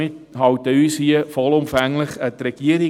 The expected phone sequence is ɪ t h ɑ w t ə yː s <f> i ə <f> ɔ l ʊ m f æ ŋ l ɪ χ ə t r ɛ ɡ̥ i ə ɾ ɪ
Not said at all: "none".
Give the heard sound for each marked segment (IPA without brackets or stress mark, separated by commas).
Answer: h, f